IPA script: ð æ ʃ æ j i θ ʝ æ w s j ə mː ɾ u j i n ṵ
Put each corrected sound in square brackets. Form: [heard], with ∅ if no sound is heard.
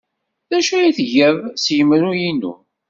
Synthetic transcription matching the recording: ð æ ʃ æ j i θ ʝ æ [v] s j ə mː ɾ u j i n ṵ